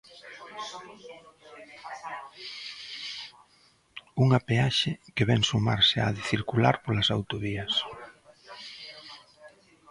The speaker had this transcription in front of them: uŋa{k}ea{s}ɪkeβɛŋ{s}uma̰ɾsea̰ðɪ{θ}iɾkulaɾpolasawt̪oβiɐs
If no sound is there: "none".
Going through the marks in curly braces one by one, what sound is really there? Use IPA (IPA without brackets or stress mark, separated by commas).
p, ʃ, s, θ